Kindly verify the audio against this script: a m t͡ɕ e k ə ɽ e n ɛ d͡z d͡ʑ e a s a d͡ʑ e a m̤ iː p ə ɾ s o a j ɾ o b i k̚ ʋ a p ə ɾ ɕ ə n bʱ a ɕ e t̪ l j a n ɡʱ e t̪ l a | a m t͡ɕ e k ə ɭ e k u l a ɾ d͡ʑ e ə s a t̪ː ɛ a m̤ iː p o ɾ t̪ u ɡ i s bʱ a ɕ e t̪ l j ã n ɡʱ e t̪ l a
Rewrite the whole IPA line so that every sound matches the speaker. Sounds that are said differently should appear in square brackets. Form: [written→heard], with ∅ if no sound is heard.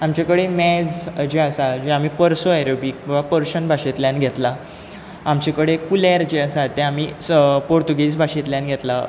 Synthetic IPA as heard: a m t͡ɕ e k ə ɽ e [n→m] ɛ d͡z d͡ʑ e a s a d͡ʑ e a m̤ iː p ə ɾ s o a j ɾ o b i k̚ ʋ a p ə ɾ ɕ ə n bʱ a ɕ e t̪ l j a n ɡʱ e t̪ l a | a m t͡ɕ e k ə [ɭ→ɽ] e k u l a ɾ d͡ʑ e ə s a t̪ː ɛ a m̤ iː p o ɾ t̪ u ɡ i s bʱ a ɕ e t̪ l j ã n ɡʱ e t̪ l a